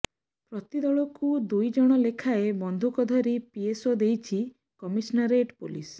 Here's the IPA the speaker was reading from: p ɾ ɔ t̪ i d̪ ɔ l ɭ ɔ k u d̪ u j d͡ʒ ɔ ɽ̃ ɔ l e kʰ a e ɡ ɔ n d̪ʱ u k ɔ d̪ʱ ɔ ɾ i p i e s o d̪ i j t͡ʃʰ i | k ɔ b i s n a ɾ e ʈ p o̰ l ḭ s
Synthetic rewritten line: p ɾ ɔ t̪ i d̪ ɔ ɭ ɔ k u d̪ u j d͡ʒ ɔ ɽ̃ ɔ l e kʰ a e b ɔ n d̪ʱ u k ɔ d̪ʱ ɔ ɾ i p i e s o d̪ e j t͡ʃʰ i | k ɔ m i s n a ɾ e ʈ p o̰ l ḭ s